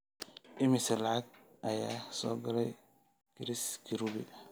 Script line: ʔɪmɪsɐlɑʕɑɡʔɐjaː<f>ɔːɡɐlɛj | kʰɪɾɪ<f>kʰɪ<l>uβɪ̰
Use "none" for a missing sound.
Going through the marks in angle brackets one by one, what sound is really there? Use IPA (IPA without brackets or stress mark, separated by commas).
s, s, ɾ